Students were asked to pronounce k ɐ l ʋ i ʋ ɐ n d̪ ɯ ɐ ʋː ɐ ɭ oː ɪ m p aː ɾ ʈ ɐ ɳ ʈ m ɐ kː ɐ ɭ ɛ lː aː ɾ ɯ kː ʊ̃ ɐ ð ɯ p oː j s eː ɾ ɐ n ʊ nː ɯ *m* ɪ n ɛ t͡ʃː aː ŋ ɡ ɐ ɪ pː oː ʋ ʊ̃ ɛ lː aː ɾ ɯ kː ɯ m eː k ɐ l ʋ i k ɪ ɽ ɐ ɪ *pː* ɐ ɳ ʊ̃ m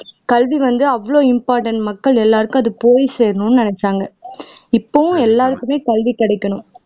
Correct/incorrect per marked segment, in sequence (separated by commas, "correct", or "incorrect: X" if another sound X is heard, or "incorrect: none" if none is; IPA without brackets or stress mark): incorrect: n, incorrect: kː